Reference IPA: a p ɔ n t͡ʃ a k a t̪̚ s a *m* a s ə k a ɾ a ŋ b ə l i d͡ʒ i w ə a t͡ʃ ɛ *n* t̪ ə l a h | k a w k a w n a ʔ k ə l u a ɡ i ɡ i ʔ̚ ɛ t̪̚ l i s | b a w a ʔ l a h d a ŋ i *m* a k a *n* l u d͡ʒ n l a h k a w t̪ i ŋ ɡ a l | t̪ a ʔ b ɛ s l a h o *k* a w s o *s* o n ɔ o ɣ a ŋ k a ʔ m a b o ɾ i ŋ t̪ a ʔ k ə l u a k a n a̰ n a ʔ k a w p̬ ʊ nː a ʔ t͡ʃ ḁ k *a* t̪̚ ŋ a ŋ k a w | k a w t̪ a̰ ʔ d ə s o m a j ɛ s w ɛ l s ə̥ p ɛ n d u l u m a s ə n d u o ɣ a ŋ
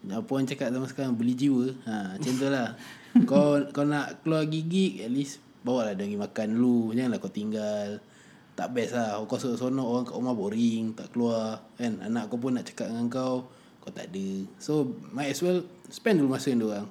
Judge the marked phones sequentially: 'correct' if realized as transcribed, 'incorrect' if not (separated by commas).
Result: correct, correct, correct, correct, correct, correct, correct